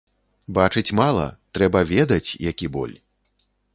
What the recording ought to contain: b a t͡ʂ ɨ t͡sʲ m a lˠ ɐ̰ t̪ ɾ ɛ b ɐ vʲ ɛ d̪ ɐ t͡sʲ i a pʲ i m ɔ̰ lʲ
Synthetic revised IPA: b a t͡ʂ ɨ t͡sʲ m a lˠ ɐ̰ t̪ ɾ ɛ b ɐ vʲ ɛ d̪ ɐ t͡sʲ j a kʲ i b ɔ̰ lʲ

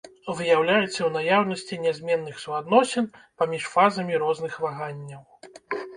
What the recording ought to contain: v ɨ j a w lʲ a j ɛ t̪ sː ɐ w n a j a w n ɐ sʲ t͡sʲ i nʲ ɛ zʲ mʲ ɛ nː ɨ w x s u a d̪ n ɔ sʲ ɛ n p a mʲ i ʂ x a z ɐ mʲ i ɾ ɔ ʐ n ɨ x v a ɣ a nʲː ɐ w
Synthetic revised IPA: v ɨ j a w lʲ a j ɛ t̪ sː ɐ w n a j a w n ɐ sʲ t͡sʲ i nʲ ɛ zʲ mʲ ɛ nː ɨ x s u a d̪ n ɔ sʲ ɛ n p a mʲ i ʂ f a z ɐ mʲ i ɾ ɔ z n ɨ x v a ɣ a nʲː ɐ w

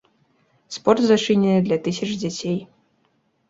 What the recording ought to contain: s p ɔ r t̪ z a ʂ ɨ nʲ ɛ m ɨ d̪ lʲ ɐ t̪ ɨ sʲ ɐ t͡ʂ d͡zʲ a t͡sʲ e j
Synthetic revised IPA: s p ɔ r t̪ z a t͡ʂ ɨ nʲ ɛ n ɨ d̪ lʲ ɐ t̪ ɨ sʲ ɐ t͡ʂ d͡zʲ a t͡sʲ e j

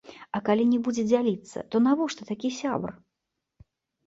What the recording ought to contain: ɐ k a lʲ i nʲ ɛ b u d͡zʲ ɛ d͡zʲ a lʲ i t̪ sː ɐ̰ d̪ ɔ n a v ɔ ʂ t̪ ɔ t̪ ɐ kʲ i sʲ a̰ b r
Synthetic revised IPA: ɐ k a lʲ i nʲ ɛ b u d͡zʲ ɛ d͡zʲ a lʲ i t̪ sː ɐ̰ t̪ ɔ n a v ɔ ʂ t̪ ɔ t̪ a kʲ i sʲ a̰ b r

